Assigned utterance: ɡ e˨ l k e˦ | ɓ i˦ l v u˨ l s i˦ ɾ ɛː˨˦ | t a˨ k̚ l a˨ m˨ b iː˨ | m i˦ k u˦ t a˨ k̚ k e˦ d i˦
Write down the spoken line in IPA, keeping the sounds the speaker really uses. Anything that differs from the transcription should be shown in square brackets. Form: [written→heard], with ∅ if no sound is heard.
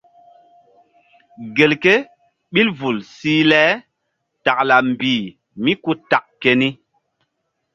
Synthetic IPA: ɡ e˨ l k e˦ | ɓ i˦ l v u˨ l s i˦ [ɾ→l] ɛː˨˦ | t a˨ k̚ l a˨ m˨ b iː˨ | m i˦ k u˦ t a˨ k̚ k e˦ [d→n] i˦